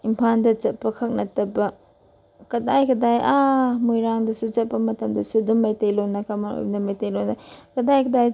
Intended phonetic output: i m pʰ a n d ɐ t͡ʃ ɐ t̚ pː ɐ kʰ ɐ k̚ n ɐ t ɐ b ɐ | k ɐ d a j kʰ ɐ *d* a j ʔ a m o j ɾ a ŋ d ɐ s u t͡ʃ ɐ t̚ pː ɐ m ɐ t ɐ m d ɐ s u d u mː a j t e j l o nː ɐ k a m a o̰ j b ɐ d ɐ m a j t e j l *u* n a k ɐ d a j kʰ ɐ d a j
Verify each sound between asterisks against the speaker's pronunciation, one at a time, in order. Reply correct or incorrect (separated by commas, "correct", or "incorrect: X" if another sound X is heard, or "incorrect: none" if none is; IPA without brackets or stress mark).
correct, incorrect: o